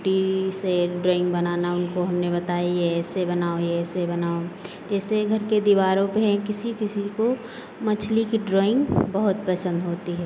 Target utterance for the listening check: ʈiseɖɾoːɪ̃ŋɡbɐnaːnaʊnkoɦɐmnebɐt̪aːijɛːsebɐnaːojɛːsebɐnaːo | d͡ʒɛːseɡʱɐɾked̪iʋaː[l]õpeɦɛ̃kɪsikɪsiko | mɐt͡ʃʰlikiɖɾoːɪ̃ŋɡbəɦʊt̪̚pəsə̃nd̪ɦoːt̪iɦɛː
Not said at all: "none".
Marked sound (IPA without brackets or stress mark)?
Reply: ɾ